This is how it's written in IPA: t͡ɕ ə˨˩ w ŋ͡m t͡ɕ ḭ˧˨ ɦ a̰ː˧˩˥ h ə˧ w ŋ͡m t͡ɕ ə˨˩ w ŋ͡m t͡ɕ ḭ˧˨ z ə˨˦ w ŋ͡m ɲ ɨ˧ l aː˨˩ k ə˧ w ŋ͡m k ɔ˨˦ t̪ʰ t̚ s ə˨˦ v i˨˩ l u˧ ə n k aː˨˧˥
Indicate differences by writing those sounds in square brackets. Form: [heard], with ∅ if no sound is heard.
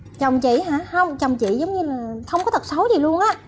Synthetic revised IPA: t͡ɕ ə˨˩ w ŋ͡m t͡ɕ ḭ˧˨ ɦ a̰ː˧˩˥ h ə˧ w ŋ͡m t͡ɕ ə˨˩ w ŋ͡m t͡ɕ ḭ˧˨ z ə˨˦ w ŋ͡m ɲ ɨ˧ l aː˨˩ [x] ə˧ w ŋ͡m k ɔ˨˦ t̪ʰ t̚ s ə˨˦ [z] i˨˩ l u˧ ə n [ʔ] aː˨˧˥